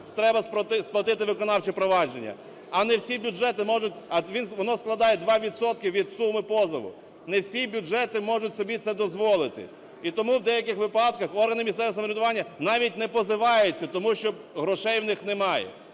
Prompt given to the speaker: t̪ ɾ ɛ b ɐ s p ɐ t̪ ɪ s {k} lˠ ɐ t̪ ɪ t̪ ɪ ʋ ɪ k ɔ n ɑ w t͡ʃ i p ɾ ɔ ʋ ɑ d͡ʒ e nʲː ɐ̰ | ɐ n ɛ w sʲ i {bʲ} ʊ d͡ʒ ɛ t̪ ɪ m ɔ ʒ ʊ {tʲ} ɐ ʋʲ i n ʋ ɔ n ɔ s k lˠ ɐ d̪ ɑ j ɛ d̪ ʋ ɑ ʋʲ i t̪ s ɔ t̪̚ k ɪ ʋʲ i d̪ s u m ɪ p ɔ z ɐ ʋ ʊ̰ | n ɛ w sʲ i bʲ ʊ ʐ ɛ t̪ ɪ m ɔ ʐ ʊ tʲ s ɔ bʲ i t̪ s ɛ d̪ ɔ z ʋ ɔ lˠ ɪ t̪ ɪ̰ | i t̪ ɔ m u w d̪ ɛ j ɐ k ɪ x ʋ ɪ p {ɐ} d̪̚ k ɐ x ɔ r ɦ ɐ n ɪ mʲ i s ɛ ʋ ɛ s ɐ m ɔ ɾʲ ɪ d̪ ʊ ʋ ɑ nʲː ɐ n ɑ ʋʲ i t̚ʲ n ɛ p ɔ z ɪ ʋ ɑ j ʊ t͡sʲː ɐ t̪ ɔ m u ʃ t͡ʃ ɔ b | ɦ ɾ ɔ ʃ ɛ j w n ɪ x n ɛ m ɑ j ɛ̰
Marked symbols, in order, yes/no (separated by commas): no, yes, yes, no